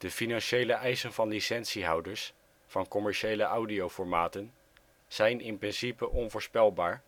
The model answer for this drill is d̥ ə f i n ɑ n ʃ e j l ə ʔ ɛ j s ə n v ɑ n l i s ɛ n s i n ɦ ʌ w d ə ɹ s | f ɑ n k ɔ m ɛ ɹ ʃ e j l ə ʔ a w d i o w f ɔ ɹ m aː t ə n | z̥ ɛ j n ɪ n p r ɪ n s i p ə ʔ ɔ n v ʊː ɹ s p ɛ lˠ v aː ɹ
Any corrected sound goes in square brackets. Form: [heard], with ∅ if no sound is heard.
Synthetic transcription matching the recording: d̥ ə f i n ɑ n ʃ e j l ə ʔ ɛ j s ə n v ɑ n l i s ɛ n s i [∅] ɦ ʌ w d ə ɹ s | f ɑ n k ɔ m ɛ ɹ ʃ e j l ə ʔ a w d i o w f ɔ ɹ m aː t ə n | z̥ ɛ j n ɪ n p r ɪ n s i p ə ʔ ɔ n v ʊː ɹ s p ɛ lˠ [b] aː ɹ